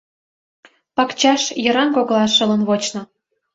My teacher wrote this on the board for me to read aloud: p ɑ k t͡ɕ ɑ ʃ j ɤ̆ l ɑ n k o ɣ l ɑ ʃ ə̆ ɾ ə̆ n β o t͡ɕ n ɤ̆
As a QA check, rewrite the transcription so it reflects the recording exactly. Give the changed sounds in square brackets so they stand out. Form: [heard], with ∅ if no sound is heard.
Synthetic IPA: p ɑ k t͡ɕ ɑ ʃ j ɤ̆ [ɾ] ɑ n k o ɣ l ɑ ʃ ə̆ [l] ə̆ n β o t͡ɕ n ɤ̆